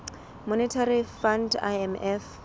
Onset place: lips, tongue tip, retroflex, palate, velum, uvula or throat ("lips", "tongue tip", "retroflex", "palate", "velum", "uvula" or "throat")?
lips